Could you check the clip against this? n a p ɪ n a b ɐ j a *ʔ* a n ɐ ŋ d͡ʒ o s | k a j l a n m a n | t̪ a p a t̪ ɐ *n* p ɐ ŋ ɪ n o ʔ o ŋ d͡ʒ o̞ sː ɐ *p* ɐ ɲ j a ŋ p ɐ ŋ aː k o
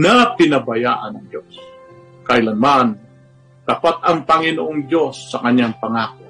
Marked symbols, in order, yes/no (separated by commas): yes, no, no